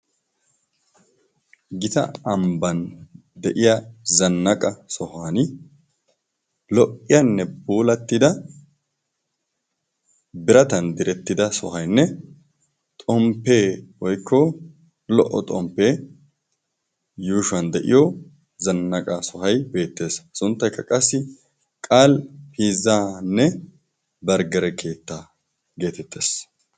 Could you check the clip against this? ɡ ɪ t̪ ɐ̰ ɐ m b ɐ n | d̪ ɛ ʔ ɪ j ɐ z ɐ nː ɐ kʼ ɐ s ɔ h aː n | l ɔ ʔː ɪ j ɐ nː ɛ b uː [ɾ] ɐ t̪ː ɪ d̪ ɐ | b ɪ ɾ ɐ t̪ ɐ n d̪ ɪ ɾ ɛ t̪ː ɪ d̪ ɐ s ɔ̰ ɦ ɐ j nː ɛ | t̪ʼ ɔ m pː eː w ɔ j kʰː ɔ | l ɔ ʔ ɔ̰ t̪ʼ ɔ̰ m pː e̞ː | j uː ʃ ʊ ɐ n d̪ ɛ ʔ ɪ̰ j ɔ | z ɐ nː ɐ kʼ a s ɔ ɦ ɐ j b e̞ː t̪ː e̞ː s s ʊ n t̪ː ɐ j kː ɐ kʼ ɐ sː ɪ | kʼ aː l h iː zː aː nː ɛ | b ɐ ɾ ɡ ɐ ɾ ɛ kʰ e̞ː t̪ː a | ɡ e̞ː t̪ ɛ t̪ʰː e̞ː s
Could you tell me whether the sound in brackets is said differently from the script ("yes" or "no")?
yes